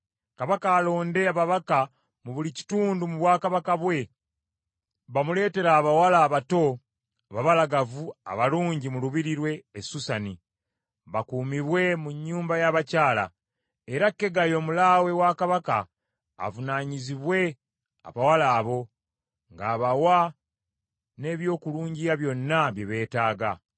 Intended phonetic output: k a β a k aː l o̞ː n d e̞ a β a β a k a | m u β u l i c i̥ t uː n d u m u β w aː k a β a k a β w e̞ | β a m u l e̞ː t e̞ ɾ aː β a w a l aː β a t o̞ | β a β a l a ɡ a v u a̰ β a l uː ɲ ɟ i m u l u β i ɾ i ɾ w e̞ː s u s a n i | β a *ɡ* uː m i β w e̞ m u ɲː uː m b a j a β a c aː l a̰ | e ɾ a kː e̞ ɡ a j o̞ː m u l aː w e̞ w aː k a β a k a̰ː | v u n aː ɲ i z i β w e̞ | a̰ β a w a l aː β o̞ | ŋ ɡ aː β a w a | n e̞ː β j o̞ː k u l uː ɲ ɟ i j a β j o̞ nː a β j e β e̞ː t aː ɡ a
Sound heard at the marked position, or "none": k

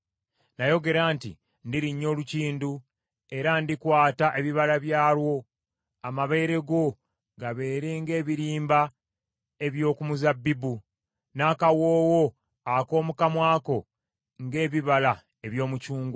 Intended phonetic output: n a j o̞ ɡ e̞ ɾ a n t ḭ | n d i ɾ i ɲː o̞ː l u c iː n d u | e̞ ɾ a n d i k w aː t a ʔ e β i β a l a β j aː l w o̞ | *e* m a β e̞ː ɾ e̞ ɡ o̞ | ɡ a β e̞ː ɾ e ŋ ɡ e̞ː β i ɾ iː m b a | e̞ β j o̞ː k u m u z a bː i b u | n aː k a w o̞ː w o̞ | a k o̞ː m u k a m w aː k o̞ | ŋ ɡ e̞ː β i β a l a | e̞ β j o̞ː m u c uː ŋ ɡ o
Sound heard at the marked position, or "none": a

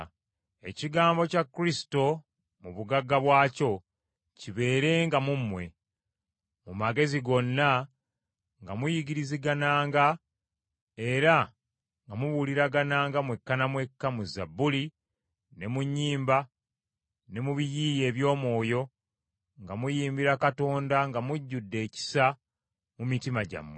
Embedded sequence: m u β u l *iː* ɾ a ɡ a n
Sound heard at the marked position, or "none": i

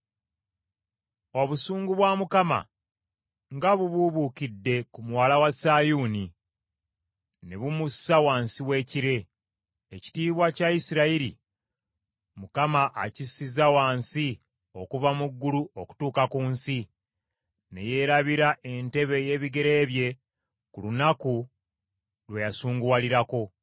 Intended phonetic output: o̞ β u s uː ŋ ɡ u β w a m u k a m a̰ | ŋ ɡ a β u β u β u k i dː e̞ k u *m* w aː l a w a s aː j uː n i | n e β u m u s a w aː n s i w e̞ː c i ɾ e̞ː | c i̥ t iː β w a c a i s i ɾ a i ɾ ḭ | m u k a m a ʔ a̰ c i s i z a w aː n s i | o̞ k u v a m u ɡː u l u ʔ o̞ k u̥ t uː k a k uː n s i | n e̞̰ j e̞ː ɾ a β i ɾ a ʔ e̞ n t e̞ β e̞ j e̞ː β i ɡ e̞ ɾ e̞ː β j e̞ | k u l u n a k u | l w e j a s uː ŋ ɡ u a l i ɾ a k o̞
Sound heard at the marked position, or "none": m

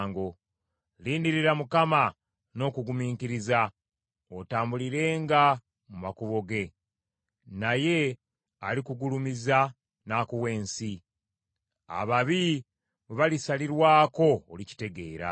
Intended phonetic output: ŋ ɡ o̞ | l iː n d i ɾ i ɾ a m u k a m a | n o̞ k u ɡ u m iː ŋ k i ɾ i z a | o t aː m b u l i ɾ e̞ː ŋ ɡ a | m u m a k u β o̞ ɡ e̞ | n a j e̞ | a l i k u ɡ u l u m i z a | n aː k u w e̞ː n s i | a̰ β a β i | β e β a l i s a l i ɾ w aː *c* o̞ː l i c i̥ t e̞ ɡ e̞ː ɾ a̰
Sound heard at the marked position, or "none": k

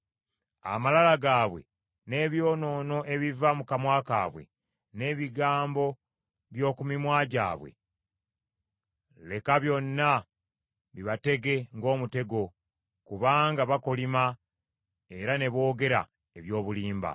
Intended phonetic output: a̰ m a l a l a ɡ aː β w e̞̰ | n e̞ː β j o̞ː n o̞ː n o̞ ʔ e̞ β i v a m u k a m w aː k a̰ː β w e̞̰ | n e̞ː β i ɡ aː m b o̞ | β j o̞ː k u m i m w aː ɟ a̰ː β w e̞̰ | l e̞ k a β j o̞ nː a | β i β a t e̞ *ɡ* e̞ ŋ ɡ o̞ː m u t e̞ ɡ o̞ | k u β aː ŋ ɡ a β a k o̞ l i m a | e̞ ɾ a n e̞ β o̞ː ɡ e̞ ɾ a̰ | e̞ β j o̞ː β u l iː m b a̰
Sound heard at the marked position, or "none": ɡ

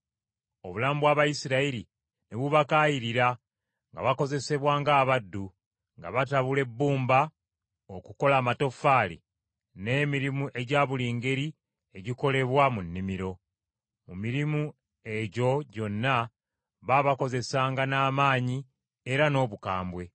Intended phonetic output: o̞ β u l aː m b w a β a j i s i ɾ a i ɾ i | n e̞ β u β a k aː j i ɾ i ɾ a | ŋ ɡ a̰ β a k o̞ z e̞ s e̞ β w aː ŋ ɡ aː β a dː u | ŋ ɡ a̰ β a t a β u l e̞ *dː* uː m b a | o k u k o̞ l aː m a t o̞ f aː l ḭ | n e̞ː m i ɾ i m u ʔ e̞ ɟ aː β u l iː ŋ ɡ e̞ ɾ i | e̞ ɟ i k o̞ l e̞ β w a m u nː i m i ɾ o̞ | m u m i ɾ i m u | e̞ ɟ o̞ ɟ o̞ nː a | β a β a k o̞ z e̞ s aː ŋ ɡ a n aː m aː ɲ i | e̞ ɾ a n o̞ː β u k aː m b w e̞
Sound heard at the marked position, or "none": bː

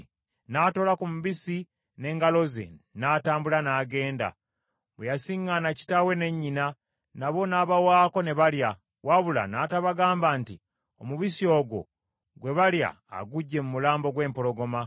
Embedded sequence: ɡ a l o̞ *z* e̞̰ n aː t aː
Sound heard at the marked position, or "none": z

